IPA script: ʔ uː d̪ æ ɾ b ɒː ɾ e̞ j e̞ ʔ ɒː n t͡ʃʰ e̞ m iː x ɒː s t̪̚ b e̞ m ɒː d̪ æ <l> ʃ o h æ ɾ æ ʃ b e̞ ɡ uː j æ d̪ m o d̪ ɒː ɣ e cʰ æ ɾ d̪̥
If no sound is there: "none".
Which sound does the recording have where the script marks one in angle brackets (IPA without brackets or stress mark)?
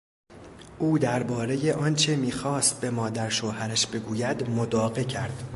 ɾ